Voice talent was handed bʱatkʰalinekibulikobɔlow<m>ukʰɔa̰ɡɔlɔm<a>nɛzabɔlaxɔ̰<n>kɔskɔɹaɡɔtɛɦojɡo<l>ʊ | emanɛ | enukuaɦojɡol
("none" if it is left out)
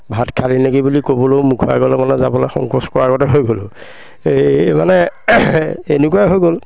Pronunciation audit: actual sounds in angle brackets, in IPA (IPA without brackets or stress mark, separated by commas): m, a, ŋ, l